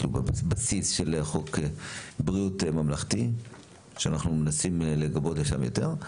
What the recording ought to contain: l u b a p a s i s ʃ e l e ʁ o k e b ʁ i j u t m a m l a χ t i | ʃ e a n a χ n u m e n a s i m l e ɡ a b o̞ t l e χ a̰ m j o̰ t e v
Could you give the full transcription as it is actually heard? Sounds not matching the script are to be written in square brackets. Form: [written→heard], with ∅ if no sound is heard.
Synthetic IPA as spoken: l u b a [p→b] a s i s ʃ e l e [ʁ→χ] o k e b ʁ i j u t m a m l a χ t i | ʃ e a n a χ n u m e n a s i m l e ɡ a b o̞ t l e [χ→ʃ] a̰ m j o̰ t e [v→ʁ]